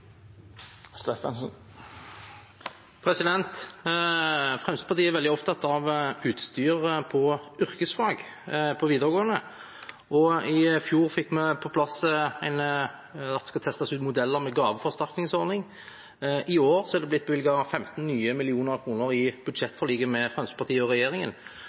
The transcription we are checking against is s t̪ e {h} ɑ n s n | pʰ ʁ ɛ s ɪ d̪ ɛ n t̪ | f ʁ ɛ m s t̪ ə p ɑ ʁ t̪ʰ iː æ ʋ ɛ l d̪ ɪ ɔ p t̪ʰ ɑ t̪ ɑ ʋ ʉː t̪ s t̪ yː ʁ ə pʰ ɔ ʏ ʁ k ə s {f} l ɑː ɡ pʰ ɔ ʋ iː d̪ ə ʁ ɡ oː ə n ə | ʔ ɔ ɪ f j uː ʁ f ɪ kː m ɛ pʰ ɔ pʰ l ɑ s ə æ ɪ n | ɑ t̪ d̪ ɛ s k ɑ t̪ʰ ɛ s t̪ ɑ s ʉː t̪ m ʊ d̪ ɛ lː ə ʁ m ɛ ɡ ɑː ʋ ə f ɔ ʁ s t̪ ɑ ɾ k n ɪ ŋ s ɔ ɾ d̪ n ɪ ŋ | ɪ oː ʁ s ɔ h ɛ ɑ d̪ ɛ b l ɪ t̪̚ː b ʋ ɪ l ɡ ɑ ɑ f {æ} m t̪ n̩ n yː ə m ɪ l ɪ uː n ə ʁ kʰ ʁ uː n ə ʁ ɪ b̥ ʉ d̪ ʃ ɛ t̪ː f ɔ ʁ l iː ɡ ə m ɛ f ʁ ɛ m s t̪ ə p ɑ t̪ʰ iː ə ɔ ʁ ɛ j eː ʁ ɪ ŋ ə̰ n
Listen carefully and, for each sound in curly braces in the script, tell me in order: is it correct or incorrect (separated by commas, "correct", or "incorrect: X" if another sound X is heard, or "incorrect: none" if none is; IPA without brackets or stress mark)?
incorrect: f, correct, incorrect: ɛ